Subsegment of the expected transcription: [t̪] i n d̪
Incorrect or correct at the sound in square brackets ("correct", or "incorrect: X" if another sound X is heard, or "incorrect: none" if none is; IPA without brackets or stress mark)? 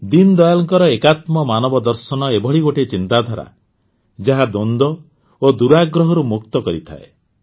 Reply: incorrect: d̪